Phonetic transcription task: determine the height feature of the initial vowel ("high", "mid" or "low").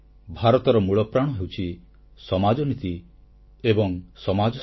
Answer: low